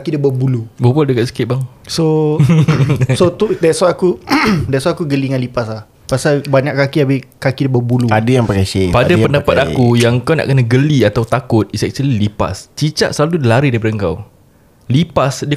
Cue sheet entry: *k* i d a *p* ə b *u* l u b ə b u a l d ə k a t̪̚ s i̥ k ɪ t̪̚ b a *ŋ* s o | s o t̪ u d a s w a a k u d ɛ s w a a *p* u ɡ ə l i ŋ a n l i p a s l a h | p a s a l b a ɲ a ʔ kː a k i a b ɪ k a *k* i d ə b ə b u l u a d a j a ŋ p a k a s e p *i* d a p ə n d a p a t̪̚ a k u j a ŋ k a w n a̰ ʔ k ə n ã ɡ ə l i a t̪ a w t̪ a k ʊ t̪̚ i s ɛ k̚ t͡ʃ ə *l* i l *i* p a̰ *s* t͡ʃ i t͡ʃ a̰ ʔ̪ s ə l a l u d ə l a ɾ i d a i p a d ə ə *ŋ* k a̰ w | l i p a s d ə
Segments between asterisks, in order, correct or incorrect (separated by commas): correct, incorrect, correct, correct, incorrect, correct, incorrect, correct, correct, correct, correct